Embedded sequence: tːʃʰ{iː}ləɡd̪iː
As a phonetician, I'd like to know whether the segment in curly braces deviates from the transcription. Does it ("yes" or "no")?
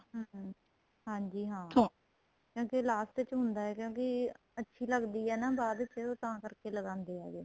no